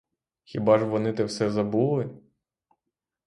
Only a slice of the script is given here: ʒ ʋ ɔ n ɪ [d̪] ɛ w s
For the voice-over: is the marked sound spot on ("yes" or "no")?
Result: no